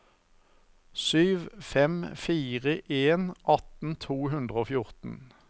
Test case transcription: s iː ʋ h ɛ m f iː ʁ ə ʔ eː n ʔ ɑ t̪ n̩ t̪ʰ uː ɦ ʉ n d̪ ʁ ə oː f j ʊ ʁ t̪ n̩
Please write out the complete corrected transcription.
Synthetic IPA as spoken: s yː ʋ f ɛ m f iː ʁ ə ʔ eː n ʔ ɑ t̪ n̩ t̪ʰ uː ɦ ʉ n d̪ ʁ ə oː f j ʊ ʁ t̪ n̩